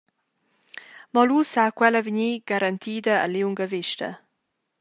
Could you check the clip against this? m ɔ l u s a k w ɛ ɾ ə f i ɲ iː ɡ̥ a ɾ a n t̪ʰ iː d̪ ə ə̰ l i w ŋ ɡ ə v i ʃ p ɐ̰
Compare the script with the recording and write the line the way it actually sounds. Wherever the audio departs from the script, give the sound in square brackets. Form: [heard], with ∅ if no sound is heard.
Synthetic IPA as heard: m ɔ l u s a k w ɛ [l] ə [v] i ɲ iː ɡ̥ a ɾ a n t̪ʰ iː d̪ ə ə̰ l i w ŋ ɡ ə v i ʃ [t] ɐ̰